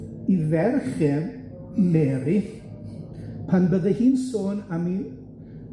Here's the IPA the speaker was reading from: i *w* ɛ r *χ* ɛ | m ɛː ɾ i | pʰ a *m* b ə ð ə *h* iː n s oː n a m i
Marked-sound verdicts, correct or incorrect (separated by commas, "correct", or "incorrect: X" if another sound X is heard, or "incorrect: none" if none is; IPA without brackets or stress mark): incorrect: v, correct, incorrect: n, correct